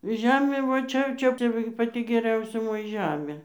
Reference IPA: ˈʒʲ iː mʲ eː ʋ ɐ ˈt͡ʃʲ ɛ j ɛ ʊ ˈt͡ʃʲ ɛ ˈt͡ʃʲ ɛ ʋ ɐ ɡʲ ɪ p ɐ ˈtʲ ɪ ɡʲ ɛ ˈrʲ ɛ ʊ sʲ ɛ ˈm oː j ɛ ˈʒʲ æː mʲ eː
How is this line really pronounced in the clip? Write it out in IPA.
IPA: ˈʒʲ æː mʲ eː ʋ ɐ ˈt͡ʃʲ ɛ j ɛ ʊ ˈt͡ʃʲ ɛ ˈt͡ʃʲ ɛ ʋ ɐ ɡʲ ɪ p ɐ ˈtʲ ɪ ɡʲ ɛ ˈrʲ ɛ ʊ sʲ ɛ ˈm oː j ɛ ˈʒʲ æː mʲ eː